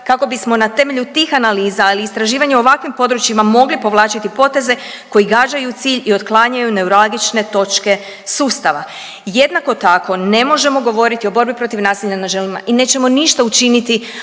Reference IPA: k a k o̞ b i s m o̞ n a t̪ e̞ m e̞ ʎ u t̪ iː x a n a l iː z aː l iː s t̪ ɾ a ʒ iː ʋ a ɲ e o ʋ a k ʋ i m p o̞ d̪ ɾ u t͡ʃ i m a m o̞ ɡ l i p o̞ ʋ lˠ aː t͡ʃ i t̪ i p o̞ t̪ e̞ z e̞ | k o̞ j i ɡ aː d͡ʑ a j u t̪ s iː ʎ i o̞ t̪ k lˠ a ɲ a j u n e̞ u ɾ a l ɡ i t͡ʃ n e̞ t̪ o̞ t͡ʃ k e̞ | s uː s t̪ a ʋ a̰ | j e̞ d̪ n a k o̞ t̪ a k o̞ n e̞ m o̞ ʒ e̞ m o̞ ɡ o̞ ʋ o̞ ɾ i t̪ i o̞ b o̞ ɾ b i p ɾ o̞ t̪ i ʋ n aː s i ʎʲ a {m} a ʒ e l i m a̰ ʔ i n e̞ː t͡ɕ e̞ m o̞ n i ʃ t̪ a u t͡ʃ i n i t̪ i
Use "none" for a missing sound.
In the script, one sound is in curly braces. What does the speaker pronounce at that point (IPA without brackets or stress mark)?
n